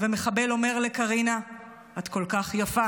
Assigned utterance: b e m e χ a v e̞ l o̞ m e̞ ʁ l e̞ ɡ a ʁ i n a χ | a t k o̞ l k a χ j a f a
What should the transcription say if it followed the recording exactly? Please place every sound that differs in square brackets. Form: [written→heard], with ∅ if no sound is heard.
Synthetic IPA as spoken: [b→v] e m e χ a [v→b] e̞ l o̞ m e̞ ʁ l e̞ [ɡ→k] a ʁ i n a [χ→∅] | a t k o̞ l k a χ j a f a

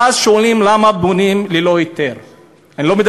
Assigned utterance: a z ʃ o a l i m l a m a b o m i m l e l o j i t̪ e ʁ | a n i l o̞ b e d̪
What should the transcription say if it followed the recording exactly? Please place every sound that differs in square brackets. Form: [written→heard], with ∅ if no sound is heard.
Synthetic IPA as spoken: a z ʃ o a l i m l a m a b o [m→n] i m l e l o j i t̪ e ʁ | a n i l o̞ [b→m] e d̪

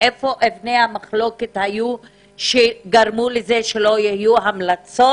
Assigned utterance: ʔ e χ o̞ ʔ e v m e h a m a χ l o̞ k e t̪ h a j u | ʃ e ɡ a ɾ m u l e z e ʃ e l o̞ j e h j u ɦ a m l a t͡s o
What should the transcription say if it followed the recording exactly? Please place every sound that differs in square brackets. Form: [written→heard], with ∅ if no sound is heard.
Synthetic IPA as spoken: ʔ e [χ→f] o̞ ʔ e v [m→n] e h a m a χ l o̞ k e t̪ h a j u | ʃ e ɡ a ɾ m u l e z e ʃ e l o̞ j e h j u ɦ a m l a t͡s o

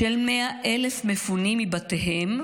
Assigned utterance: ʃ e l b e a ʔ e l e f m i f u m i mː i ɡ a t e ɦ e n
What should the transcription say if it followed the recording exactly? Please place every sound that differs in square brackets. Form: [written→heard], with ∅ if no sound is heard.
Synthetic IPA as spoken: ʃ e l [b→m] e a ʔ e l e f m [i→e] f u [m→n] i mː i [ɡ→b] a t e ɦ e [n→m]

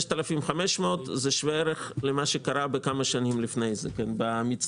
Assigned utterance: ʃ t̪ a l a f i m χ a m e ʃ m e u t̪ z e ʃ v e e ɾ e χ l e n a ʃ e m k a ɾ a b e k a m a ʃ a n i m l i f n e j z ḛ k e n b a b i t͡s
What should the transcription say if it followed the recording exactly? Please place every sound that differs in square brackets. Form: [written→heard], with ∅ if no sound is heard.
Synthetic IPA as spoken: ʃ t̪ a l a f i m χ a m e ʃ m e [u→o] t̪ z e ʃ v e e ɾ e χ l e [n→m] a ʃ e [m→∅] k a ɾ a b e k a m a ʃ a n i m l i f n e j z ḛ k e n b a [b→m] i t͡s

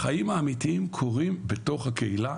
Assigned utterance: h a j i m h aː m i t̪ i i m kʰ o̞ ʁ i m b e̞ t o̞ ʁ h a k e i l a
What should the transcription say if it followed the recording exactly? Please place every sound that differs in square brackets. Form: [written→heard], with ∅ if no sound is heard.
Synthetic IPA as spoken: [h→χ] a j i m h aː m i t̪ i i m kʰ o̞ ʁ i m b e̞ t o̞ [ʁ→χ] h a k e i l a

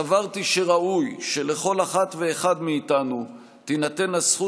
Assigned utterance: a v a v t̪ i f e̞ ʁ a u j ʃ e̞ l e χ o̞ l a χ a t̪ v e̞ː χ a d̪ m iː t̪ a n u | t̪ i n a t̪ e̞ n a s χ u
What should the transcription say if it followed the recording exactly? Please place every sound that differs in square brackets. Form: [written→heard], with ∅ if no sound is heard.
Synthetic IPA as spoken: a v a [v→ʁ] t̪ i [f→ʃ] e̞ ʁ a u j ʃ e̞ l e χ o̞ l a χ a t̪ v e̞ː χ a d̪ m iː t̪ a n u | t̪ i n a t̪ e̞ n a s χ u

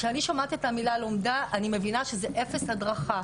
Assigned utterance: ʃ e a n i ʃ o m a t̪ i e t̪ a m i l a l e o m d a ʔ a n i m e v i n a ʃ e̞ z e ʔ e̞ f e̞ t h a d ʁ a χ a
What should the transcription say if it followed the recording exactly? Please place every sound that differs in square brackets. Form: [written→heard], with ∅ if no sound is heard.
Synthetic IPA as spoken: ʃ e a n i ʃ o m a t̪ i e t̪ a m i l a l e o m d a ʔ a n i m e v i n a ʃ e̞ z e ʔ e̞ f e̞ [t→s] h a d ʁ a χ a

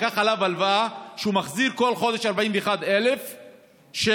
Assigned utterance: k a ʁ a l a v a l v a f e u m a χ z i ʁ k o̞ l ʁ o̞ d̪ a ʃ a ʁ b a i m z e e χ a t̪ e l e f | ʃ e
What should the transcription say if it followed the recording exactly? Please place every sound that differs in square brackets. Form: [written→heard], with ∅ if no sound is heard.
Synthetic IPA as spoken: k a [ʁ→χ] a l a v a l v a [f→ʃ] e u m a χ z i ʁ k o̞ l [ʁ→χ] o̞ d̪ [a→e] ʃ a ʁ b a i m [z→v] e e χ a [t̪→d̪] e l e f | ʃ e

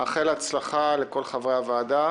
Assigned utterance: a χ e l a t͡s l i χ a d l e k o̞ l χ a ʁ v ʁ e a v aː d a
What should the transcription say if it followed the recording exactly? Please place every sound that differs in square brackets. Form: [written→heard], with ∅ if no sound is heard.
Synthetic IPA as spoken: a χ e l a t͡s l [i→a] χ a [d→∅] l e k o̞ l χ a [ʁ→∅] v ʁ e a v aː d a

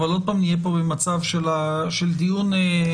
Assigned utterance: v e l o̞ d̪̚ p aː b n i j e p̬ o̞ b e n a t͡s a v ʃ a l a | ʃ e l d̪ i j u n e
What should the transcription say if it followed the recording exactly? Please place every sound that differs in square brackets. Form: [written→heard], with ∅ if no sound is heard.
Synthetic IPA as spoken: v [e→a] l o̞ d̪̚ p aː [b→m] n i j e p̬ o̞ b e [n→m] a t͡s a v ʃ [a→e] l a | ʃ e l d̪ i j u n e

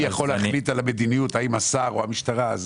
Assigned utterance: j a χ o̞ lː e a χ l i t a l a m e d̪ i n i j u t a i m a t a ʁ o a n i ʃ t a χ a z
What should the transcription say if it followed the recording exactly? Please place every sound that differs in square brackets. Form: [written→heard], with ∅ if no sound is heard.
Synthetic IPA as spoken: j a χ o̞ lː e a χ l i t a l a m e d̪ i n i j u t a i m a [t→s] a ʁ o a [n→m] i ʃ t a [χ→ʁ] a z

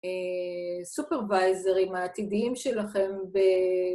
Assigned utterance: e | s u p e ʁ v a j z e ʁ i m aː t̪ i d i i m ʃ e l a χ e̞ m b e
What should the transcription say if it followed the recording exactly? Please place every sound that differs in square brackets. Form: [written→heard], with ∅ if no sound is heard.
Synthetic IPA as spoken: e | s u p e ʁ v a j z e ʁ i m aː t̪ i d i i m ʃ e l a χ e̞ m b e

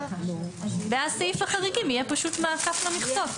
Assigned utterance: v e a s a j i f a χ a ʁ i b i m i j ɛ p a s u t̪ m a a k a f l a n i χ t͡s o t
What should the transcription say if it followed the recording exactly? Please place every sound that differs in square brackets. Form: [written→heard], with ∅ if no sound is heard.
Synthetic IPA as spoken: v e a s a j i f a χ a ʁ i [b→ɡ] i m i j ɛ p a [s→ʃ] u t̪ m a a k a f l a [n→m] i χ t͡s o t

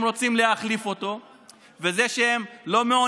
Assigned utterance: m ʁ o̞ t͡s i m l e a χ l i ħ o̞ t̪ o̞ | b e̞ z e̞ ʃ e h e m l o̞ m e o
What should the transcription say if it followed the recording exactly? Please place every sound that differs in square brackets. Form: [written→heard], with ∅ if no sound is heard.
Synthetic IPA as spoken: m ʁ o̞ t͡s i m l e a χ l i [ħ→f] o̞ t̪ o̞ | [b→v] e̞ z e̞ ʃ e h e m l o̞ m e o

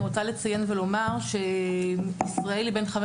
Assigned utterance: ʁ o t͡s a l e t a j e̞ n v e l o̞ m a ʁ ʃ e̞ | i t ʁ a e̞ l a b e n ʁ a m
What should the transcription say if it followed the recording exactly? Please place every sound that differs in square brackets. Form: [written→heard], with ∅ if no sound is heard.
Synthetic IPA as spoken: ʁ o t͡s a l e [t→t͡s] a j e̞ n v e l o̞ m a ʁ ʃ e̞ | i [t→s] ʁ a e̞ l [a→i] b e n [ʁ→χ] a m

